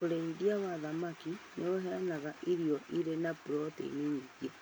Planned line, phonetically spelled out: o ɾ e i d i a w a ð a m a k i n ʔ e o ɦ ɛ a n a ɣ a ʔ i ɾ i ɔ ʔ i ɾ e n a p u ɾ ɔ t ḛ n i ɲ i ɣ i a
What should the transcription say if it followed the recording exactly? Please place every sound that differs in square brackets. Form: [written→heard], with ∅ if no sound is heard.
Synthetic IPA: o ɾ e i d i a w a ð a m a k i n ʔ e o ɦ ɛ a n a ɣ a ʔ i ɾ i ɔ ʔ i ɾ e n a p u ɾ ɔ t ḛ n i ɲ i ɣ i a